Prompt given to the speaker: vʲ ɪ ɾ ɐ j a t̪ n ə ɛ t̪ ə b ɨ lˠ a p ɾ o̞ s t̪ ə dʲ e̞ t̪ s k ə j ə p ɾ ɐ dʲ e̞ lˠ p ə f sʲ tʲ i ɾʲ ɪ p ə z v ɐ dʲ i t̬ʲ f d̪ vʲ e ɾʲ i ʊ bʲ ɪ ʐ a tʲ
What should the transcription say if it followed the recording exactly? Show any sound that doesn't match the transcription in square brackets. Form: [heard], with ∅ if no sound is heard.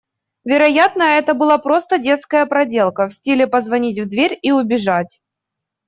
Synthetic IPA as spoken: vʲ ɪ ɾ ɐ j a t̪ n ə ɛ t̪ ə b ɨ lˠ a p ɾ o̞ s t̪ ə dʲ e̞ t̪ s k ə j ə p ɾ ɐ dʲ e̞ lˠ [k] ə f sʲ tʲ i [lʲ] ɪ p ə z v ɐ [nʲ] i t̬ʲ [v] d̪ vʲ e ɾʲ i ʊ bʲ ɪ ʐ a tʲ